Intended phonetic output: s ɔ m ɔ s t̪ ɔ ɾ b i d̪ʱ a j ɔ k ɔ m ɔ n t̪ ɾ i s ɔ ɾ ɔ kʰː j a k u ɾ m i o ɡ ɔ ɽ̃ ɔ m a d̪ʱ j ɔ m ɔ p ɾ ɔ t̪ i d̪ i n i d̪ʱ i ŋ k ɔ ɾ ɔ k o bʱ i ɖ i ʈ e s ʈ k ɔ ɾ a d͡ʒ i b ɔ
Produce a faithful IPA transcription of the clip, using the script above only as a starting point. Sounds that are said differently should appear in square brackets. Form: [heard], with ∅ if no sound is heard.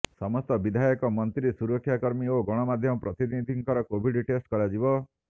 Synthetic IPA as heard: s ɔ m ɔ s t̪ ɔ [∅] b i d̪ʱ a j ɔ k ɔ m ɔ n t̪ ɾ i s [u] ɾ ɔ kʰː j a k [ɔ] ɾ m i o ɡ ɔ ɽ̃ ɔ m a d̪ʱ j ɔ m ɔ p ɾ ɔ t̪ i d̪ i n i d̪ʱ i ŋ k ɔ ɾ ɔ k o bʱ i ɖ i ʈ e s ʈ k ɔ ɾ a d͡ʒ i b ɔ